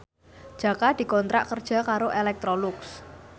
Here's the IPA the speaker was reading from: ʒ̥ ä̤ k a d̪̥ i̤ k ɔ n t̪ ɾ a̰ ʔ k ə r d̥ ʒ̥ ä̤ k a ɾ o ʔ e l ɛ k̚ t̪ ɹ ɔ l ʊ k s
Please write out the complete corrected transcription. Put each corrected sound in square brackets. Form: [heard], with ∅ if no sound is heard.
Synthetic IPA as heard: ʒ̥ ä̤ k a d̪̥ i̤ k ɔ n t̪ ɾ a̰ ʔ k ə r d̥ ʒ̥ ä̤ k a ɾ o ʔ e l ɛ k̚ t̪ [ɾ] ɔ l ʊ k s